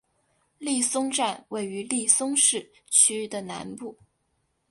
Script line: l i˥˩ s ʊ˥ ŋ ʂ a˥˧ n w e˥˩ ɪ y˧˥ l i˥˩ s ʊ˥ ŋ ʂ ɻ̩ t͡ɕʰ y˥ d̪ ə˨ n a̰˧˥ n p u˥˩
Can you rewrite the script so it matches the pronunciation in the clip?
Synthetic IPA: l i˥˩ s ʊ˥ ŋ ʈ͡ʂ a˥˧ n w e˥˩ ɪ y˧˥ l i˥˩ s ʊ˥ ŋ ʂ ɻ̩ t͡ɕʰ y˥ d̪ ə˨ n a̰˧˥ n p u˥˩

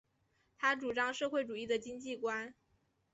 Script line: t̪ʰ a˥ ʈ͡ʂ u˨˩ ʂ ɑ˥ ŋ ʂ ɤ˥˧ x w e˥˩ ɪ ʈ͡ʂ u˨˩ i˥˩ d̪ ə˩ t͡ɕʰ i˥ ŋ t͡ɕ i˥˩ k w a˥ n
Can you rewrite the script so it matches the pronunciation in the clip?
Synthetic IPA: t̪ʰ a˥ ʈ͡ʂ u˨˩ ʈ͡ʂ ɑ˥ ŋ ʂ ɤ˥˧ x w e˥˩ ɪ ʈ͡ʂ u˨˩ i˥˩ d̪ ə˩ t͡ɕ i˥ ŋ t͡ɕ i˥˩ k w a˥ n

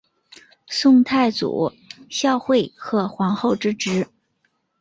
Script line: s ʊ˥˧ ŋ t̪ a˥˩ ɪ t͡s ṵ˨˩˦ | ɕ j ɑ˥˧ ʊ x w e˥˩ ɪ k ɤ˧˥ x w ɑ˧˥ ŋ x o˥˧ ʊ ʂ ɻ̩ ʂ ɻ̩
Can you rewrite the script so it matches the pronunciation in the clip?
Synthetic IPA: s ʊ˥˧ ŋ t̪ʰ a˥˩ ɪ t͡s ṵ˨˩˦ | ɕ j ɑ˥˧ ʊ x w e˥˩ ɪ x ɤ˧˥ x w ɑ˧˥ ŋ x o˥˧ ʊ ʈ͡ʂ ɻ̩ ʈ͡ʂ ɻ̩

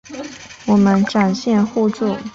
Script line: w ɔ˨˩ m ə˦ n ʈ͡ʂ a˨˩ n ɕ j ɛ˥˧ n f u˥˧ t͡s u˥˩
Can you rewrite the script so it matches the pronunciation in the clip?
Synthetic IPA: w ɔ˨˩ m ə˦ n ʈ͡ʂ a˨˩ n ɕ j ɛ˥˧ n x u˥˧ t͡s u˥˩

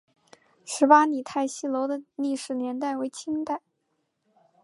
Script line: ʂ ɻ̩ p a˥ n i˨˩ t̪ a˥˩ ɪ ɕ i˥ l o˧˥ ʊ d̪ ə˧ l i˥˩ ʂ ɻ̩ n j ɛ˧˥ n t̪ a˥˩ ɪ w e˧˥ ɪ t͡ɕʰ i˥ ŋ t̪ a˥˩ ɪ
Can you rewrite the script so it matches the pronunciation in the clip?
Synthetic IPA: ʂ ɻ̩ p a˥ n i˨˩ t̪ʰ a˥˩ ɪ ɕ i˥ l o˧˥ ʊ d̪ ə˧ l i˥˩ ʂ ɻ̩ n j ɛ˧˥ n t̪ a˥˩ ɪ w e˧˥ ɪ t͡ɕʰ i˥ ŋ t̪ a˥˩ ɪ

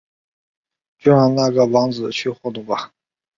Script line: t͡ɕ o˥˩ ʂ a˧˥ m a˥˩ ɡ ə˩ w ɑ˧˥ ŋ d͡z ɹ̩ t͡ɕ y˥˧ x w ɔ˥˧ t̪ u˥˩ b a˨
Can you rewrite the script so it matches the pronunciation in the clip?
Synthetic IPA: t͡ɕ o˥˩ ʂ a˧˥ n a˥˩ ɡ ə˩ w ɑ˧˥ ŋ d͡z ɹ̩ t͡ɕʰ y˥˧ x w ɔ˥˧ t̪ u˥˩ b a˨

